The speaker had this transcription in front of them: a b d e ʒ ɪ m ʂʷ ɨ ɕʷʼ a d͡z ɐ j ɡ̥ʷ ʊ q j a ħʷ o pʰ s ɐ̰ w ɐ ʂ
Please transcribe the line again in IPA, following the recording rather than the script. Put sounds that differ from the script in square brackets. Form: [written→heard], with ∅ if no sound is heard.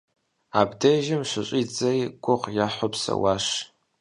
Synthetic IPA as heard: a b d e ʒ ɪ m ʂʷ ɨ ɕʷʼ [a→i] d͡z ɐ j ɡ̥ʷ ʊ q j a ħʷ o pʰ s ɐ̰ w [ɐ→a] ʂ